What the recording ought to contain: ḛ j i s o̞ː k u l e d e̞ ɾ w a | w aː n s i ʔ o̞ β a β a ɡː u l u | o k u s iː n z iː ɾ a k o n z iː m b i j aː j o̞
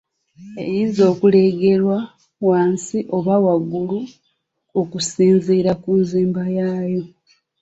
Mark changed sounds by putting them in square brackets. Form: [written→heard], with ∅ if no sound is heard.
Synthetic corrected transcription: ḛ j i [s→z] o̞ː k u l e [d→ɡ] e̞ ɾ w a | w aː n s i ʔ o̞ β a [β→w] a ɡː u l u | o k u s iː n z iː ɾ a k [o→u] n z iː m b [i→a] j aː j o̞